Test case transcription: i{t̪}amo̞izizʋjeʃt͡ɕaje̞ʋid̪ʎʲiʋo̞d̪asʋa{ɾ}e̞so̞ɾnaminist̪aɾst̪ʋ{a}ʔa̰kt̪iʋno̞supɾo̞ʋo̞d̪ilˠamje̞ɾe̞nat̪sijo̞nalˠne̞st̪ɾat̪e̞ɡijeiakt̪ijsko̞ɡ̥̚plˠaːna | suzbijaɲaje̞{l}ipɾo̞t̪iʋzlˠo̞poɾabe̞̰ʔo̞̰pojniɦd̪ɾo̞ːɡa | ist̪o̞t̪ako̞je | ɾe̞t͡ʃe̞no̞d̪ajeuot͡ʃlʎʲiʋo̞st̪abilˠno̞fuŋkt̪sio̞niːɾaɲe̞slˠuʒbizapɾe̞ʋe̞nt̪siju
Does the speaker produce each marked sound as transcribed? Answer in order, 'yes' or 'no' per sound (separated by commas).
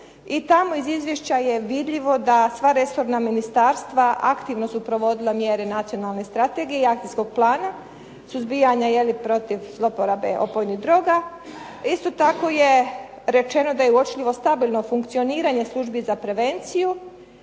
yes, yes, yes, yes